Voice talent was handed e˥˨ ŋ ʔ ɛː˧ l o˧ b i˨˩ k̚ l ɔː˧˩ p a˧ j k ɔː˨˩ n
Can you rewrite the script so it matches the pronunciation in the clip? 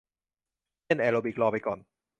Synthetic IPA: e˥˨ n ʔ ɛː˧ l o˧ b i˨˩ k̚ l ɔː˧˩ p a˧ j k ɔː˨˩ n

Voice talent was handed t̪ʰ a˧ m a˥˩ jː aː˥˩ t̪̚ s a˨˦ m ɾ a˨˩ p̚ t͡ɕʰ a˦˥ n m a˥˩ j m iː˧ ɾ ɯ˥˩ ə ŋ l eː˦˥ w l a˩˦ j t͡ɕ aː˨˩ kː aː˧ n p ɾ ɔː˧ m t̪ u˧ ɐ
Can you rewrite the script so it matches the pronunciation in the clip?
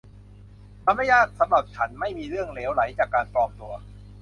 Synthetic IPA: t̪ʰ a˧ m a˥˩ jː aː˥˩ t̪̚ s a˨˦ m ɾ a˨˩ p̚ t͡ɕʰ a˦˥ n m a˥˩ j m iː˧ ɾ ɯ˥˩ ə ŋ l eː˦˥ w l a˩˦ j t͡ɕ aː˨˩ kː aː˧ n p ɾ ɔː˧ m t̪ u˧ ɐ

